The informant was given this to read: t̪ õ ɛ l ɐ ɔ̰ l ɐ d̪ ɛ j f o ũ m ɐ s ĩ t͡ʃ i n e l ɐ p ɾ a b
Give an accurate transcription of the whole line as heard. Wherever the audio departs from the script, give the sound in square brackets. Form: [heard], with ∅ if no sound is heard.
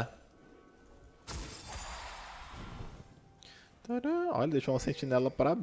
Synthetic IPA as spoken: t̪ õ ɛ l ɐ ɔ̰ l ɐ d̪ [e] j [ʃ] o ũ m ɐ s [ẽ] t͡ʃ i n [ɛ] l ɐ p ɾ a b

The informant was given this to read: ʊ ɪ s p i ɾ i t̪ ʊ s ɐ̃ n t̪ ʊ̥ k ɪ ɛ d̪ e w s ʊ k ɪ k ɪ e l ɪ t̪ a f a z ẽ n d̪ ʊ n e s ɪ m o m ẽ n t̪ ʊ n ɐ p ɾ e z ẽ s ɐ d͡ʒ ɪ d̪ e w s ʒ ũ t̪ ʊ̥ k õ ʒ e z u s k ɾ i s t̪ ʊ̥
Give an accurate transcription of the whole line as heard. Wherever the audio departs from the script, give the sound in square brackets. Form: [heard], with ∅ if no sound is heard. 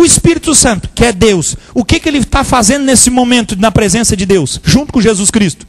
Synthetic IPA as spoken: ʊ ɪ s p i ɾ i t̪ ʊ s ɐ̃ n t̪ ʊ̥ k ɪ ɛ d̪ e w s ʊ k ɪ k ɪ e l ɪ t̪ a f a z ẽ n d̪ ʊ n e s ɪ m o m ẽ n t̪ ʊ n ɐ p ɾ e z ẽ s ɐ d͡ʒ ɪ d̪ e w s ʒ ũ t̪ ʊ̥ k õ ʒ e z u s k ɾ i s t̪ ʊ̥

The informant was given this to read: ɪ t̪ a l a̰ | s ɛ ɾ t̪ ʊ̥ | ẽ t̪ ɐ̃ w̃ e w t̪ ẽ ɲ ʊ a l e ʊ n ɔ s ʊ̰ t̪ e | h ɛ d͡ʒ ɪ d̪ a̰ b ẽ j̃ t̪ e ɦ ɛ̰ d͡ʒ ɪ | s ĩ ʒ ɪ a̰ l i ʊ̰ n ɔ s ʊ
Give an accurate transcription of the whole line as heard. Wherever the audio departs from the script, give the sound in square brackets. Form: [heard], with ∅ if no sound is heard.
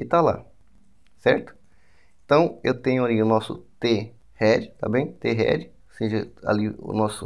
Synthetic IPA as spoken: ɪ t̪ a l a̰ | s ɛ ɾ t̪ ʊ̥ | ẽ t̪ ɐ̃ w̃ e w t̪ ẽ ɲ ʊ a l [i] ʊ n ɔ s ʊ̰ t̪ e | h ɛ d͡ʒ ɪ [t̪] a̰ b ẽ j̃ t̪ e ɦ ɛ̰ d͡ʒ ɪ | s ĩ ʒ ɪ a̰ l i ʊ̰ n ɔ s ʊ

